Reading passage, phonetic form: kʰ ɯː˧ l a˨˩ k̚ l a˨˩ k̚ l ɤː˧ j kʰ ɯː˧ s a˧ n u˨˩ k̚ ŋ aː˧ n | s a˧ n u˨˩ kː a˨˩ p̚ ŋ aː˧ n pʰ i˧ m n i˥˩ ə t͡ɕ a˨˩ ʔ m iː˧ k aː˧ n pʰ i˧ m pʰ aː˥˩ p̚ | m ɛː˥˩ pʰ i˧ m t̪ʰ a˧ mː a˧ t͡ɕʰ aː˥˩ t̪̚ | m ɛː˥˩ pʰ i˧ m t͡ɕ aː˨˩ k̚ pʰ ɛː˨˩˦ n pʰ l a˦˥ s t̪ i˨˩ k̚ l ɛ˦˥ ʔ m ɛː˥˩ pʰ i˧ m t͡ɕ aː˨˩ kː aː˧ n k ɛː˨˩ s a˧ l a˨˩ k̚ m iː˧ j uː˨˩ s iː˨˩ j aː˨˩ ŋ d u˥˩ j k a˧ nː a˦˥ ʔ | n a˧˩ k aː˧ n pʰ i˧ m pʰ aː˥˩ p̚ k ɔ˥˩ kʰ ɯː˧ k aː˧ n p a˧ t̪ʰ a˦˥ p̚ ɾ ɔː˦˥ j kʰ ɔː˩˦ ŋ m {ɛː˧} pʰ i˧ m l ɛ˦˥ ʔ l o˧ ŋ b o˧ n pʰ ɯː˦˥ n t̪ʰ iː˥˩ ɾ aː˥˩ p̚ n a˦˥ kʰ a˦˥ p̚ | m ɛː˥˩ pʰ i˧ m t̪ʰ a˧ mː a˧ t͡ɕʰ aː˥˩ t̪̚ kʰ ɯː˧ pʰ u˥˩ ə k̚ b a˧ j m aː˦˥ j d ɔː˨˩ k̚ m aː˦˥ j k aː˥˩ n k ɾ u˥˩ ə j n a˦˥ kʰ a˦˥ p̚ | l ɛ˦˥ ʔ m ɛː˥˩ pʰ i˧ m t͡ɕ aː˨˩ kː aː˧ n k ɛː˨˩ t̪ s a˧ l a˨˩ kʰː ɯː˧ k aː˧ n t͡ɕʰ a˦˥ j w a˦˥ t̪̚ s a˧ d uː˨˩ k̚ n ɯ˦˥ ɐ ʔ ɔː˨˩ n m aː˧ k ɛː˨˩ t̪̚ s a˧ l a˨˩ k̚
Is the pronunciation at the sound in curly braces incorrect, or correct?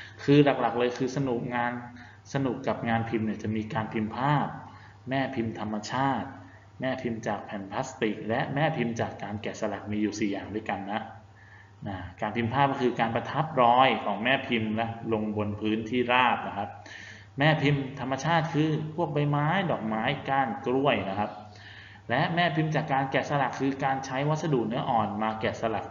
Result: incorrect